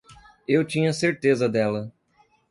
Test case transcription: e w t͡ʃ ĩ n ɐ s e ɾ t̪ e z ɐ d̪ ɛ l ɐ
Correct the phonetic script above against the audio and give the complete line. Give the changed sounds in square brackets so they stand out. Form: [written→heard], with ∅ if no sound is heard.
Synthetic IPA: e w t͡ʃ ĩ [n→ɲ] ɐ s e ɾ t̪ e z ɐ d̪ ɛ l ɐ